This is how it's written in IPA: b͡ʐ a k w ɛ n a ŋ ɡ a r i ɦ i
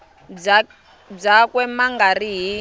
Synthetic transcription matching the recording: b͡ʐ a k w ɛ m a ŋ ɡ a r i ɦ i